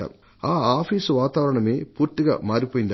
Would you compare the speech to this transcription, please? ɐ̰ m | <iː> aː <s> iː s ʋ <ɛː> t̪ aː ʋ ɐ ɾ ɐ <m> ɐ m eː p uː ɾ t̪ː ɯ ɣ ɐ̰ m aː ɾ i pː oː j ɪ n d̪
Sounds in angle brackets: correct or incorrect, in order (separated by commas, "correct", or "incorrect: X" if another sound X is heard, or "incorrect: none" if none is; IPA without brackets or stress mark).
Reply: incorrect: aː, incorrect: f, incorrect: aː, incorrect: ɳ